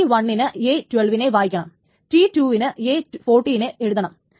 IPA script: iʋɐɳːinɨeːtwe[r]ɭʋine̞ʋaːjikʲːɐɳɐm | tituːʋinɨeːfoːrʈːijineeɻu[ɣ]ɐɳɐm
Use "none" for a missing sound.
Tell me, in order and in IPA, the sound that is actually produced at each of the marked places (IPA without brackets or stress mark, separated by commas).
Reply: none, ð